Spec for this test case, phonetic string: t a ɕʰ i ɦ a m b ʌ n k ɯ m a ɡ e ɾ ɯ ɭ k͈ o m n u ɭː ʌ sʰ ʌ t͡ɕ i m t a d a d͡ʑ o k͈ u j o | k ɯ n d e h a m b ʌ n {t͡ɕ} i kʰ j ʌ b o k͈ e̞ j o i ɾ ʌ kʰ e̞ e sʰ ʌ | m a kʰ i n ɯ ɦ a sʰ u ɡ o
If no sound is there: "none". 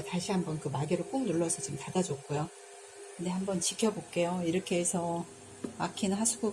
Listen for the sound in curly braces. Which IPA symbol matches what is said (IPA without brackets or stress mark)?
t͡ɕ